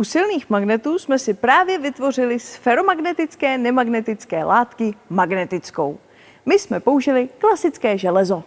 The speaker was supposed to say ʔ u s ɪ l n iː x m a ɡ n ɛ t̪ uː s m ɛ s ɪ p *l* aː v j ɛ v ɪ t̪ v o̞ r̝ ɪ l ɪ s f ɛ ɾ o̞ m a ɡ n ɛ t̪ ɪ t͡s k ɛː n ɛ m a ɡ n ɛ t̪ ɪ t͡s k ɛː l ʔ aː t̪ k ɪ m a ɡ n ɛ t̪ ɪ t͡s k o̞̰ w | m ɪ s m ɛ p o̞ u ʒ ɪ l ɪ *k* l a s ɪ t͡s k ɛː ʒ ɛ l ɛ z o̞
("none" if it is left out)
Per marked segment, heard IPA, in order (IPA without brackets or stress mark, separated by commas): ɾ, k